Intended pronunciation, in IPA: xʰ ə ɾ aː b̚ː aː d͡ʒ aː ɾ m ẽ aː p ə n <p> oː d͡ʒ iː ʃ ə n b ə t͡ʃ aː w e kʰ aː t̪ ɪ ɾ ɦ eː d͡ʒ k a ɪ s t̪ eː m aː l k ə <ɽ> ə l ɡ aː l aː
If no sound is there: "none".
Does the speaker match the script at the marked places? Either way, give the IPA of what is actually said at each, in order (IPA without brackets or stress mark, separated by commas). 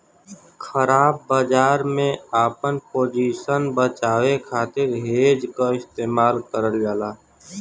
p, ɾ